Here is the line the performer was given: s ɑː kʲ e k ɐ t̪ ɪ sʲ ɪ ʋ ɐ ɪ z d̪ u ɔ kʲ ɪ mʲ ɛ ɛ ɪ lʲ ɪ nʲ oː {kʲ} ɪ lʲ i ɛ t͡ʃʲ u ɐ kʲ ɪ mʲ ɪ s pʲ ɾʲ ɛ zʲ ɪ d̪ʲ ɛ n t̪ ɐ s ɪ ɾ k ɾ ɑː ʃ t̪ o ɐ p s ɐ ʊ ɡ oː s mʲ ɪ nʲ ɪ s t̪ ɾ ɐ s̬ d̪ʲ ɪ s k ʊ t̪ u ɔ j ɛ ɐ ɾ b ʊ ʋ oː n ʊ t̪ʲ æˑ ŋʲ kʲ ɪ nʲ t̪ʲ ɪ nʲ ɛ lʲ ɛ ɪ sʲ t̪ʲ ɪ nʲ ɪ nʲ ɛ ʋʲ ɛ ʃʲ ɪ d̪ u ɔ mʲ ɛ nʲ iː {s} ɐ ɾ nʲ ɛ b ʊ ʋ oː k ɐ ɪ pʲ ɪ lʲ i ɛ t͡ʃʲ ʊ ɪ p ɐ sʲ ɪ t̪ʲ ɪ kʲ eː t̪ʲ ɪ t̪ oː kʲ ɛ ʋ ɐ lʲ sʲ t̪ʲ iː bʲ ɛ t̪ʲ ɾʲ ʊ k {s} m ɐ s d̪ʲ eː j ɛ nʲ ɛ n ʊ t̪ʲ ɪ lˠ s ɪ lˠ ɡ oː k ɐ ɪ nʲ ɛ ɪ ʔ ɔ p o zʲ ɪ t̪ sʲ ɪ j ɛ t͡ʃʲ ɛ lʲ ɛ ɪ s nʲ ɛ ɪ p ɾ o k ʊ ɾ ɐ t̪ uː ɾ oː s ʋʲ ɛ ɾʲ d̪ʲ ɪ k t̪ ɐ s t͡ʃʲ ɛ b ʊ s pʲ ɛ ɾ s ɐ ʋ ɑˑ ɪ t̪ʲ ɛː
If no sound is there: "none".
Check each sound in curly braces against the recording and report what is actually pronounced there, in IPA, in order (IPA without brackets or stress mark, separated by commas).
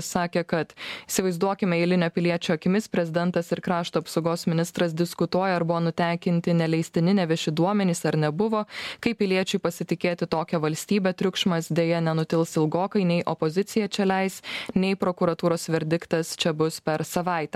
pʲ, s, ʃ